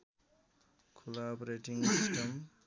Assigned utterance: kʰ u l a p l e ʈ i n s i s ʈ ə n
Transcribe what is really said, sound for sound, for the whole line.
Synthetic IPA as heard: kʰ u l a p ɾ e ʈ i ŋ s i s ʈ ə m

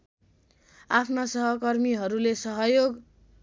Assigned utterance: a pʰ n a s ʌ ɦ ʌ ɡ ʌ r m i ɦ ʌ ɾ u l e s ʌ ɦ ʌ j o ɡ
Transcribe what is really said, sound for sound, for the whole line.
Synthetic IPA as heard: a pʰ n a s ʌ ɦ ʌ k ʌ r m i ɦ ʌ ɾ u l e s ʌ ɦ ʌ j o ɡ

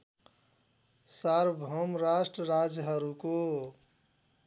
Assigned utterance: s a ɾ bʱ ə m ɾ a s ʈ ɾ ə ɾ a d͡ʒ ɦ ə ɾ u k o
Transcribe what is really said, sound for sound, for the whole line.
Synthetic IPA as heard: s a ɾ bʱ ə m ɾ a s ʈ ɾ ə ɾ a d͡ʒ ɦ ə ɾ u k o

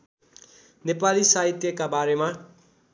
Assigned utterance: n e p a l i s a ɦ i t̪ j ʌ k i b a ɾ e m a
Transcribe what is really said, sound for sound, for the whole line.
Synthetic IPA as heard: n e p a l i s a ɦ i t̪ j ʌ k a b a ɾ e m a

